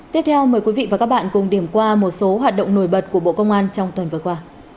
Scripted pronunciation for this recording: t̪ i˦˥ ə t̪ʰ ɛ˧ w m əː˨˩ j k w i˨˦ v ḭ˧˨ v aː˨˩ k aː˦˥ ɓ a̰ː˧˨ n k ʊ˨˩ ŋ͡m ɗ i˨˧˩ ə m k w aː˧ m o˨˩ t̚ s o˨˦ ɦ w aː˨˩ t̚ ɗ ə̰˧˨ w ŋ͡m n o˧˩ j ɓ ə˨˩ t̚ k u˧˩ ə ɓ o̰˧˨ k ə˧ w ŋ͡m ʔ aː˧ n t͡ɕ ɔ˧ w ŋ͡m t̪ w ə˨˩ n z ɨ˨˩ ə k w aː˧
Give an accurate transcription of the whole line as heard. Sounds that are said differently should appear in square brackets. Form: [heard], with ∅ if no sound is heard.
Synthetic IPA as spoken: t̪ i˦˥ ə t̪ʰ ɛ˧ w m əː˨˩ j k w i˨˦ v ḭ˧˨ v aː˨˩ k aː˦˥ ɓ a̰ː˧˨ n k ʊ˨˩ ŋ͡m ɗ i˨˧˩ ə m k w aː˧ m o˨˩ t̚ s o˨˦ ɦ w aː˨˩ t̚ ɗ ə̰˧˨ w ŋ͡m n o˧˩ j ɓ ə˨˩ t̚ k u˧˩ ə ɓ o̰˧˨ k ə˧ w ŋ͡m ʔ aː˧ n t͡ɕ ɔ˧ w ŋ͡m t̪ w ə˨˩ n [v] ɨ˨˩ ə k w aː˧